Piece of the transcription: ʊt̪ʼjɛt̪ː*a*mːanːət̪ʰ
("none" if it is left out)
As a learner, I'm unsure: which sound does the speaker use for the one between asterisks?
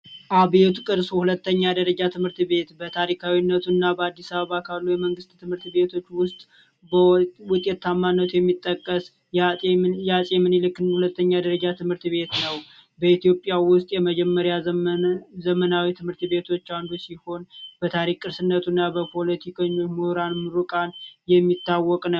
a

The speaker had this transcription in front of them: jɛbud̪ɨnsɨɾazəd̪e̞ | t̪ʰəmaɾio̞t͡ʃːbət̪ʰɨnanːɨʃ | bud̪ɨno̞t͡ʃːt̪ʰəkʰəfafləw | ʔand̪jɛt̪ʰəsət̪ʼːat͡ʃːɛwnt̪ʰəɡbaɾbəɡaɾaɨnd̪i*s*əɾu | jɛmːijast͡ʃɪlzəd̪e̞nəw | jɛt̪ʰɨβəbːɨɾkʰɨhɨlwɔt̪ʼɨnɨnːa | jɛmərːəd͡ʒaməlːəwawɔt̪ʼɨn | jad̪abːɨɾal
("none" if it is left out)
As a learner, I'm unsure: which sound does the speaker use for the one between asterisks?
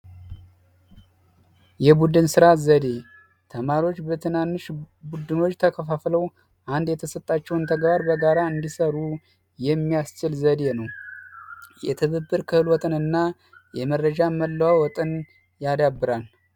s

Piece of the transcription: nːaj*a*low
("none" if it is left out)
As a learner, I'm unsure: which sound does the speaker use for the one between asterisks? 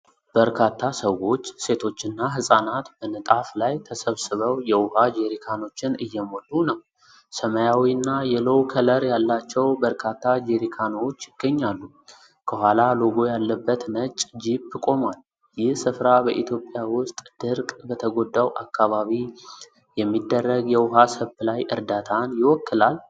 ɛ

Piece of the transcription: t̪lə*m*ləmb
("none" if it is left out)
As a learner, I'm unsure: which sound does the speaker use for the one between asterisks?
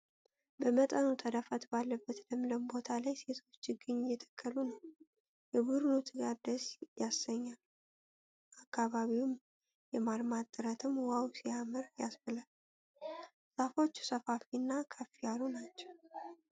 m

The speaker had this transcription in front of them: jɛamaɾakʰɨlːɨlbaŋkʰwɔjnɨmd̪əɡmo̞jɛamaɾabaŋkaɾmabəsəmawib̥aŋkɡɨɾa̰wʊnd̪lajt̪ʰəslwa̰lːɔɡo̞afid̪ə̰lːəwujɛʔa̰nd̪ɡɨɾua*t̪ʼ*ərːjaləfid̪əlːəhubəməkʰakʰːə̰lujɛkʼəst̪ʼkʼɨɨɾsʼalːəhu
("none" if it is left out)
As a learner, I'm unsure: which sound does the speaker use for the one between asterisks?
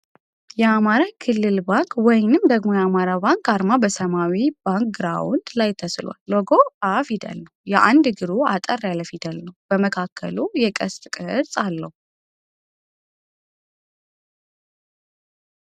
t̪ʼ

